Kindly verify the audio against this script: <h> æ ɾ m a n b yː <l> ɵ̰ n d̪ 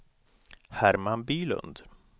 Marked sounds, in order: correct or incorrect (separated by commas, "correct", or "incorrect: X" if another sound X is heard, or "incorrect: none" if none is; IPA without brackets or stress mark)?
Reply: correct, correct